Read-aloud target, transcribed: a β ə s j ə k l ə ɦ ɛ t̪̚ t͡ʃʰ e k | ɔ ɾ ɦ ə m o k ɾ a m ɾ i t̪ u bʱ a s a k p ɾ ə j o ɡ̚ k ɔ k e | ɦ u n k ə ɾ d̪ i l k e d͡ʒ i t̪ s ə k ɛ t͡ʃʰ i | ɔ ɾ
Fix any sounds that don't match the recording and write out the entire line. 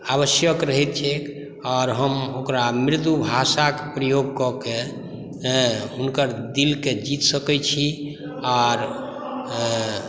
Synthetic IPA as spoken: a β ə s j ə k ɾ ə ɦ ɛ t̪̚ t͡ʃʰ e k | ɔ ɾ ɦ ə m o k ɾ a m ɾ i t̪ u bʱ a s a k p ɾ ə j o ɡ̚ k ɔ k e | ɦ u n k ə ɾ d̪ i l k e d͡ʒ i t̪ s ə k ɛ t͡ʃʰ i | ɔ ɾ